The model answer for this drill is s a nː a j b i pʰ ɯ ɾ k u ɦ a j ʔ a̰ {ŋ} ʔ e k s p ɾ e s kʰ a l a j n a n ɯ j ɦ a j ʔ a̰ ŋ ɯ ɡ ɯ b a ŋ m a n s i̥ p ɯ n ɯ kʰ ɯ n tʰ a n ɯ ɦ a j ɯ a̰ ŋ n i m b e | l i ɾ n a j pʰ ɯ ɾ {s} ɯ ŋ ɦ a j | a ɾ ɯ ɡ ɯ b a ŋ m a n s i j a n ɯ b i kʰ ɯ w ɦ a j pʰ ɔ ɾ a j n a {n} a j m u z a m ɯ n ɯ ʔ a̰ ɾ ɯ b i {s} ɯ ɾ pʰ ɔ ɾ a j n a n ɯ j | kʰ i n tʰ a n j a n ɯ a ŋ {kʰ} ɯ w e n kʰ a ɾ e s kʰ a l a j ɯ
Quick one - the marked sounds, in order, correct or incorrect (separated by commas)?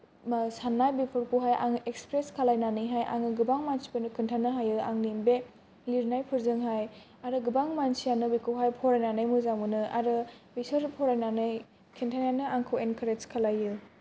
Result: correct, incorrect, correct, correct, correct